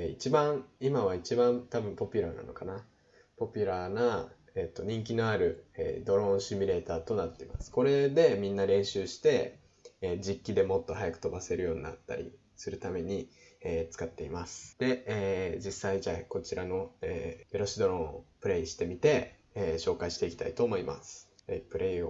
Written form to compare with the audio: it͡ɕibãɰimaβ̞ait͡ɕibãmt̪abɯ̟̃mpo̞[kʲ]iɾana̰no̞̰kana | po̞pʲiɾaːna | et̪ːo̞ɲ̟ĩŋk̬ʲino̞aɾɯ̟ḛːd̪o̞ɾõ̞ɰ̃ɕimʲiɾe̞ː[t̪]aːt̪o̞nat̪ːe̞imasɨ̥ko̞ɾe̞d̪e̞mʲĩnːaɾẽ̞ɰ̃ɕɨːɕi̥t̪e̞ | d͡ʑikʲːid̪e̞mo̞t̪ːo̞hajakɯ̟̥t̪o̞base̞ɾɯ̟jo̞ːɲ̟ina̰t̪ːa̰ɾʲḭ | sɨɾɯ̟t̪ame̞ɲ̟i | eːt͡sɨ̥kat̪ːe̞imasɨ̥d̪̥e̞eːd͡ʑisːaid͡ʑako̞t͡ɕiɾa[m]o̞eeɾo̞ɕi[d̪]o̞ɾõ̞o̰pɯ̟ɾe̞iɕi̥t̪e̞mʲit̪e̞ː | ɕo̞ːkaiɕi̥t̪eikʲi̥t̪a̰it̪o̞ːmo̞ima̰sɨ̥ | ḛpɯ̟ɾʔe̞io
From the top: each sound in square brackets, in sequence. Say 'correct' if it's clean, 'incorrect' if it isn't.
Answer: incorrect, correct, incorrect, correct

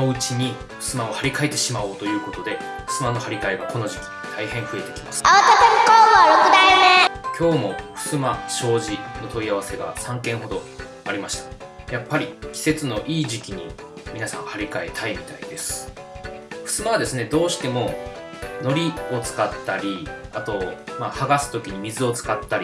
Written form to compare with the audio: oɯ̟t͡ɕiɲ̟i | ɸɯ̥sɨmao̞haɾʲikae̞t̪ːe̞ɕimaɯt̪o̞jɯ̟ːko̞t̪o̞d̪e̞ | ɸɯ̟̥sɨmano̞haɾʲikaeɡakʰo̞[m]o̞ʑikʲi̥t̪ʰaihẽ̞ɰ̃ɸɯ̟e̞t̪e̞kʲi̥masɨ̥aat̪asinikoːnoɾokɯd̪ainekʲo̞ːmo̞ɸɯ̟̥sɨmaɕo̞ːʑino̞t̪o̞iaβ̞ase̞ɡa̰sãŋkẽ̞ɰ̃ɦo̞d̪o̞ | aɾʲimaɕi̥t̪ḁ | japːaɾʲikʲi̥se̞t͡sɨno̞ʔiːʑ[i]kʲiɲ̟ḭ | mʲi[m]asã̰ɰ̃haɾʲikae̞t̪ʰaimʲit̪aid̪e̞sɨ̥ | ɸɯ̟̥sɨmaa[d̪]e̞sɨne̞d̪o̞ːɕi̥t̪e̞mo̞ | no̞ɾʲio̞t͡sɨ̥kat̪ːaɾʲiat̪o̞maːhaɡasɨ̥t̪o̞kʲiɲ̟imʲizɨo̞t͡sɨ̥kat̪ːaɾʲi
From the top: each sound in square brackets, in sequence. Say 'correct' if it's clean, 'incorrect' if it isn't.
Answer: incorrect, correct, incorrect, correct

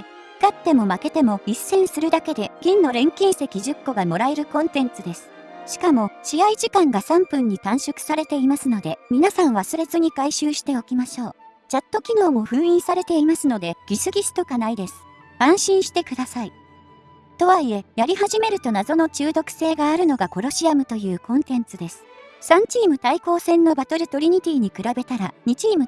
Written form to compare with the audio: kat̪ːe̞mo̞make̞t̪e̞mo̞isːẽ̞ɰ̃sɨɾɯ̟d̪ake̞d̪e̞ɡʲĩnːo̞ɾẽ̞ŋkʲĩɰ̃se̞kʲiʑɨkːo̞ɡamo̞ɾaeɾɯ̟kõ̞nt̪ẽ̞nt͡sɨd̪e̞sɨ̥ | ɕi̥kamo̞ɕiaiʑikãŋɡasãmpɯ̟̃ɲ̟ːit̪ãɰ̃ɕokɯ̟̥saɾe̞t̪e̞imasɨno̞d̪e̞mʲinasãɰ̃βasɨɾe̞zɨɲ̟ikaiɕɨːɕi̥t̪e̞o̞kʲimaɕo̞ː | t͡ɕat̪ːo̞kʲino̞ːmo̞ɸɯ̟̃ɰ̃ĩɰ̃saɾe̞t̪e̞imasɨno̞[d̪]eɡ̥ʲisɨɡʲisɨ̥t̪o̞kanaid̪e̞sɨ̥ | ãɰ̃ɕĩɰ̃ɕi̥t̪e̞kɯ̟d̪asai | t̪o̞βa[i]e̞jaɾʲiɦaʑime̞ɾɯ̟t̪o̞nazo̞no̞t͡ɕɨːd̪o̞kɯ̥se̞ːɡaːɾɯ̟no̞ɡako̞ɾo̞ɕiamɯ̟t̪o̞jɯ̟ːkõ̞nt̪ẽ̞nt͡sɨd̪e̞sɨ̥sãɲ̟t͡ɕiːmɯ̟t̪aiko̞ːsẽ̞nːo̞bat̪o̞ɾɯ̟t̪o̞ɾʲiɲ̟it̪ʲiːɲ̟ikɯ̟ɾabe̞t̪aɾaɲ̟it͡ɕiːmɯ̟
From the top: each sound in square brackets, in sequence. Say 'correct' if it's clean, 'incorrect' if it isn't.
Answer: correct, correct

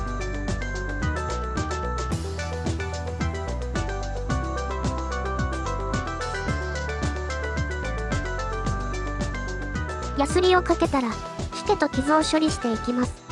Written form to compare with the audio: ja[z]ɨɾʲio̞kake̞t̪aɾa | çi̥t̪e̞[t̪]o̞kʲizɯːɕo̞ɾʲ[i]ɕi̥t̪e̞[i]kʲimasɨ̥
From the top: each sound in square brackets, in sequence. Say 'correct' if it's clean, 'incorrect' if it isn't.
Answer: incorrect, correct, correct, correct

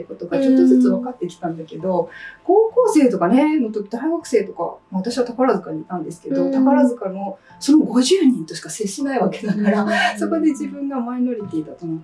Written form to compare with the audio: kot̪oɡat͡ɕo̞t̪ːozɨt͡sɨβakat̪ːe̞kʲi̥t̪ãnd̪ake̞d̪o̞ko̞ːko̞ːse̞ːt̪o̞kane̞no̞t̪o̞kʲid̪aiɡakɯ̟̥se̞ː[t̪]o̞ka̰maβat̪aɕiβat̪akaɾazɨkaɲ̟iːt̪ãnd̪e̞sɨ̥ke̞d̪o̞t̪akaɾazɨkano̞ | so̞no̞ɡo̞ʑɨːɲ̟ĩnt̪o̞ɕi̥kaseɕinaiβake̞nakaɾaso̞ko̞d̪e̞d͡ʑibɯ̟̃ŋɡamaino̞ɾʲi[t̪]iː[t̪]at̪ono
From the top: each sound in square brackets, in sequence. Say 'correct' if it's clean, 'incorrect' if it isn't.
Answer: correct, correct, incorrect

